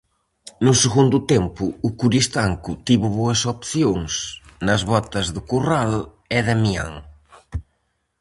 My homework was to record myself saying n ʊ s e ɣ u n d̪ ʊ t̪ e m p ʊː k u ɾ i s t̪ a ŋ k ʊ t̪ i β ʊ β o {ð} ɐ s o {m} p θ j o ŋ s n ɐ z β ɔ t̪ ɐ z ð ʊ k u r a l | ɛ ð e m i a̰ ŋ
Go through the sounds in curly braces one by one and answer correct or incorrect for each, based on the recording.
incorrect: none, incorrect: none

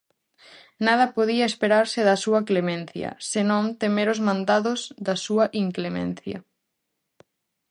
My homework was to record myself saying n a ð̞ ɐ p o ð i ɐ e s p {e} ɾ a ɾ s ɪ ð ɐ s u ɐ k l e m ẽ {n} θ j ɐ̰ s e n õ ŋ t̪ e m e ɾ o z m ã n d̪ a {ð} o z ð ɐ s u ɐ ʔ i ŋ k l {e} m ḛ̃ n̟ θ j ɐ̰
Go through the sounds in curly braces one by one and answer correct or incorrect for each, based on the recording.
correct, correct, correct, correct

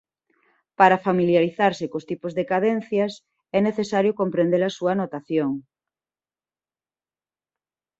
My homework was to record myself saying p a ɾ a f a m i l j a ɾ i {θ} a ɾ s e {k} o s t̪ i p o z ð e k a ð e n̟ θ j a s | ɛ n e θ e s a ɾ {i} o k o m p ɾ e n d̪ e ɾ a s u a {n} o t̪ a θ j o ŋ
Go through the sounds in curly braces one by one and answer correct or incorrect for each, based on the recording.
correct, correct, incorrect: j, correct

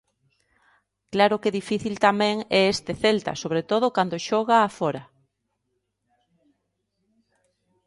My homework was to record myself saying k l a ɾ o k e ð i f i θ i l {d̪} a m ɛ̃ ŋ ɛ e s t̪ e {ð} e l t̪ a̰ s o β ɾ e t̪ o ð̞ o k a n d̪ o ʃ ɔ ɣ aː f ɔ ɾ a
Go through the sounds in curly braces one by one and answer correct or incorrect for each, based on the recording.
incorrect: t̪, incorrect: θ

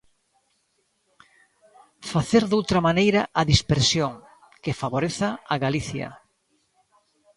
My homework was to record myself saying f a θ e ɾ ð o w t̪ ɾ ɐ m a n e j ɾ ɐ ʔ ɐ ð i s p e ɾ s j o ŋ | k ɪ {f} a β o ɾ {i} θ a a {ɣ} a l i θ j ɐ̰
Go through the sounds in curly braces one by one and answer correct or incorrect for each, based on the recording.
correct, incorrect: e, correct

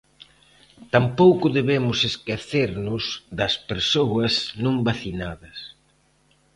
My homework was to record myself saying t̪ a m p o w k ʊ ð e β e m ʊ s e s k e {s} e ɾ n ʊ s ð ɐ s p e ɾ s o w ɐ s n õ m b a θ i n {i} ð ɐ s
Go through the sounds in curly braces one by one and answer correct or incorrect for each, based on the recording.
incorrect: θ, incorrect: a

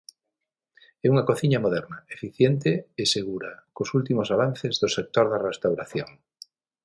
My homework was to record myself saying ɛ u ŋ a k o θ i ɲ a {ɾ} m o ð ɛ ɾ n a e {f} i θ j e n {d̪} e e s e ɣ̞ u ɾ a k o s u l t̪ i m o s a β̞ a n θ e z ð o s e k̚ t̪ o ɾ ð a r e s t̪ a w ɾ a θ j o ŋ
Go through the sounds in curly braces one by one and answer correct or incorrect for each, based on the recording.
incorrect: none, correct, incorrect: t̪

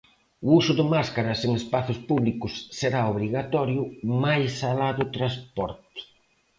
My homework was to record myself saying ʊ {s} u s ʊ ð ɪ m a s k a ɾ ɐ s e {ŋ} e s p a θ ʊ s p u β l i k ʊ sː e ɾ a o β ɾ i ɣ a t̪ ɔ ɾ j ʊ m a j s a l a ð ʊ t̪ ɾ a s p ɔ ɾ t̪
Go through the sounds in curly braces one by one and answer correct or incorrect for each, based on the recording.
incorrect: none, correct

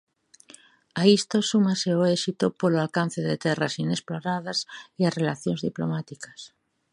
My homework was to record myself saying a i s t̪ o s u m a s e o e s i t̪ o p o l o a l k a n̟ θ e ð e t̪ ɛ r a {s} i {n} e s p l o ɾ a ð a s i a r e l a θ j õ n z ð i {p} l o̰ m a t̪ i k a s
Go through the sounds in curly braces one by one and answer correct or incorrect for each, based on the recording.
correct, correct, correct

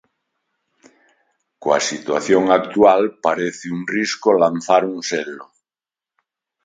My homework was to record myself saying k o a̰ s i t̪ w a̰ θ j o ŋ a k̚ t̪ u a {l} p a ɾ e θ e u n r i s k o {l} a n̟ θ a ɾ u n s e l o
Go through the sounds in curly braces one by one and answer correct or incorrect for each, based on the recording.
correct, correct

